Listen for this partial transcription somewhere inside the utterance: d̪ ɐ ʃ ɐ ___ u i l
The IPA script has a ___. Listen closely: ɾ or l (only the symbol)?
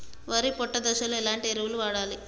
l